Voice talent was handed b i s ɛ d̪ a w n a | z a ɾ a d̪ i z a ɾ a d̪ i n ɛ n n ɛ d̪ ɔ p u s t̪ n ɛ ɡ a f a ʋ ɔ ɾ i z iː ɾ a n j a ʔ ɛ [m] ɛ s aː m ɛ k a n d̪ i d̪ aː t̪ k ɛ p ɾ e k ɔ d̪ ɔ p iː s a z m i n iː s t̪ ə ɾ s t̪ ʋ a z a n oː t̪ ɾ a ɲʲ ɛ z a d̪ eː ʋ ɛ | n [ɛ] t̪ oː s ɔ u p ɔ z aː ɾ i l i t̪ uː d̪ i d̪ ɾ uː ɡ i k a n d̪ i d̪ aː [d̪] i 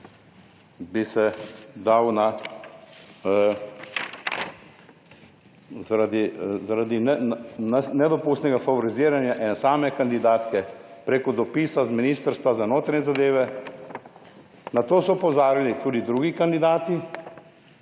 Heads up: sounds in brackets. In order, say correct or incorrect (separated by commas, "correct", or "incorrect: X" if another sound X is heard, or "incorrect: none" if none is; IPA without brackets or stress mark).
incorrect: n, incorrect: a, incorrect: t̪